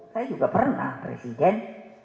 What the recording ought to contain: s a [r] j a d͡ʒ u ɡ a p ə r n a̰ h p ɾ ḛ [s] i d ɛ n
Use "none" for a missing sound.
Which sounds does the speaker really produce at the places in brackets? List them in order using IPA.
none, s

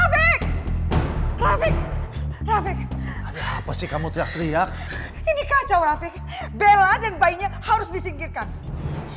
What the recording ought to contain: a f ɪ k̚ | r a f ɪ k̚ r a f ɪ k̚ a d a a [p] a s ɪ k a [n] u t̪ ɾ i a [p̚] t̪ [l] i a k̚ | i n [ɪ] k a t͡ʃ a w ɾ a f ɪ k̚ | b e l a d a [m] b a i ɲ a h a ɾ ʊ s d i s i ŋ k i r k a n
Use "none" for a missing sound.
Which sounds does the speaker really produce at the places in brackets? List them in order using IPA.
p, m, k̚, ɾ, i, n

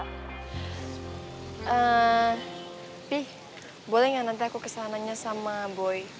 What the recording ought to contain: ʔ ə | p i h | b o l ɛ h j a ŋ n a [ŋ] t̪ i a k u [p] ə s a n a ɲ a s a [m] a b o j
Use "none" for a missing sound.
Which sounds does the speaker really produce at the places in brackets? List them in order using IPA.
n, k, m

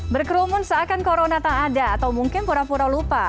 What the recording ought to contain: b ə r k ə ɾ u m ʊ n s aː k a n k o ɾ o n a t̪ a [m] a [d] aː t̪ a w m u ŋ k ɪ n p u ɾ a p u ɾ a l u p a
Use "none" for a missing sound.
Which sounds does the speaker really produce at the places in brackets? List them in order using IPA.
ŋ, d

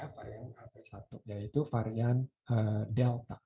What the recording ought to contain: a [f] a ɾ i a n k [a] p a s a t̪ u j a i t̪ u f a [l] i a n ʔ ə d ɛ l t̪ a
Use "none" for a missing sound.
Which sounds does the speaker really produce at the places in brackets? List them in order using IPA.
f, a, ɾ

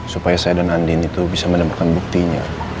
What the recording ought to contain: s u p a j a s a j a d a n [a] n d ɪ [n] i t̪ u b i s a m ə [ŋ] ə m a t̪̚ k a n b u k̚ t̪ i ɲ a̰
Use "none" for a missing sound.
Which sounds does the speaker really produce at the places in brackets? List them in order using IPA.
a, n, n

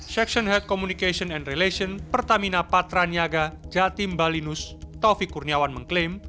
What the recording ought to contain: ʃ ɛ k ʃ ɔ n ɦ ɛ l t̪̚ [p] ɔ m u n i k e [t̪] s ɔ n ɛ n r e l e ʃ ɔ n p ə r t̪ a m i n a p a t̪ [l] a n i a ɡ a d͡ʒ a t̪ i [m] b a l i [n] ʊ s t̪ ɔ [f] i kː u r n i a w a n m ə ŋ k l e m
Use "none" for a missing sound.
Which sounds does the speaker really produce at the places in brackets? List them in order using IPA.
k, none, ɾ, m, n, f

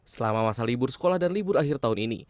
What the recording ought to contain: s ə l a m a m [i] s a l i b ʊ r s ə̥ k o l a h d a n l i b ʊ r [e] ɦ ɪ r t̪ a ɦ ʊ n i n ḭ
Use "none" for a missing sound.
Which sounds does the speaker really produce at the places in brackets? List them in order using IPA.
a, a

